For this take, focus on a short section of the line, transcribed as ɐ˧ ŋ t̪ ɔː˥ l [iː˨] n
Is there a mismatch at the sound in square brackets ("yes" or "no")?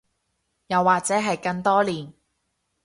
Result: no